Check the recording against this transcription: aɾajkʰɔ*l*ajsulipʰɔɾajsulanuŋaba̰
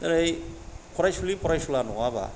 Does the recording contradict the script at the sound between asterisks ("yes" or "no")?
yes